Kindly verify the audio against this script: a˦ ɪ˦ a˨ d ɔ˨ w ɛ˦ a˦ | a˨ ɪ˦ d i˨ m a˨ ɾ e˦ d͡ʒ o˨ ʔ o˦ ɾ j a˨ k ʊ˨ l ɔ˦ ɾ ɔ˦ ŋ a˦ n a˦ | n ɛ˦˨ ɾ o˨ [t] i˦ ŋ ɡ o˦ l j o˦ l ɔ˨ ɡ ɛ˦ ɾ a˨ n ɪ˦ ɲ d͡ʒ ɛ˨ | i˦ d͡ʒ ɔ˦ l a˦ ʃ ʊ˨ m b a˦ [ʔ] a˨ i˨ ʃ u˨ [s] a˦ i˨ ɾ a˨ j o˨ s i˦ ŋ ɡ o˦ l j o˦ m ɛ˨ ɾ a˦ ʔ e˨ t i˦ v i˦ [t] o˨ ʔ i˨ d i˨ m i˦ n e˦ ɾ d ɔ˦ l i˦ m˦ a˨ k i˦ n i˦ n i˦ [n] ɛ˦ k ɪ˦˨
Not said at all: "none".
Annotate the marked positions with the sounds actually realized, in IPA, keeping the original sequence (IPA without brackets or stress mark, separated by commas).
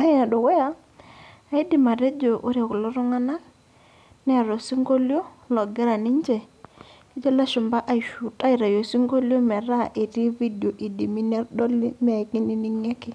s, ʔ, t, d, ŋ